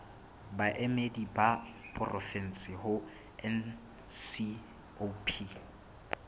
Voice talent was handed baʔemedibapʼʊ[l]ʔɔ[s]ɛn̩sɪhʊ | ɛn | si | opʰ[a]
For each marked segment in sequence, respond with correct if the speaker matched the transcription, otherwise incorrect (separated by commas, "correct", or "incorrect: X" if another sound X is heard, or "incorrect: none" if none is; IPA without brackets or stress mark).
incorrect: r, incorrect: f, incorrect: i